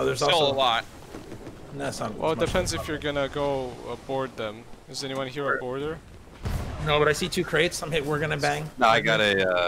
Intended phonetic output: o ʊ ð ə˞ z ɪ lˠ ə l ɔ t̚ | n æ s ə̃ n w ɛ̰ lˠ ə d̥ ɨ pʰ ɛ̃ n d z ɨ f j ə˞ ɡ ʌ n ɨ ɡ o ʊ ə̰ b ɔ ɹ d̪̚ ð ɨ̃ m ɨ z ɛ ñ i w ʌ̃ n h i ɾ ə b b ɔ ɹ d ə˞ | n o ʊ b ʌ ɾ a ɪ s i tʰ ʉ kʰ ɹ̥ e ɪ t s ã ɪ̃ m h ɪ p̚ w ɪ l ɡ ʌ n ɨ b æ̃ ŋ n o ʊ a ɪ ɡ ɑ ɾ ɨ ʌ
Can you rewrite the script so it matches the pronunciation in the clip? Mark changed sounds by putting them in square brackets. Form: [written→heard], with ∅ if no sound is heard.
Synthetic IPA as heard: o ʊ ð ə˞ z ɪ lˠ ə l ɔ t̚ | n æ s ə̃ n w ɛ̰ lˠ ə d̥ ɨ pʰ ɛ̃ n d z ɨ f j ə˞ ɡ ʌ n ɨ ɡ o ʊ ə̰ b ɔ ɹ d̪̚ ð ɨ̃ m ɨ z ɛ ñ i w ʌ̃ n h i [ɾ→ɹ] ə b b ɔ ɹ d ə˞ | n o ʊ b ʌ ɾ a ɪ s i tʰ ʉ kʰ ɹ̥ e ɪ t s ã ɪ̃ m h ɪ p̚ w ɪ [l→ɹ] ɡ ʌ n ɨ b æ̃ ŋ n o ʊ a ɪ ɡ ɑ ɾ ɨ ʌ